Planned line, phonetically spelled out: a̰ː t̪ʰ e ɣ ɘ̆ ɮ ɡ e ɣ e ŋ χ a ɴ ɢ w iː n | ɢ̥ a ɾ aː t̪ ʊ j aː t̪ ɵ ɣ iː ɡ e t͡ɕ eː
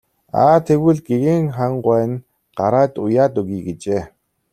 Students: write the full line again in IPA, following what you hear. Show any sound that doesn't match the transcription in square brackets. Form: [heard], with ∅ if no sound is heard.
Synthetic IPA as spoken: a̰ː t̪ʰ e ɣ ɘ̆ ɮ ɡ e ɣ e ŋ χ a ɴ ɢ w [æː] n | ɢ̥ a ɾ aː t̪ ʊ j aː t̪ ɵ ɣ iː ɡ e t͡ɕ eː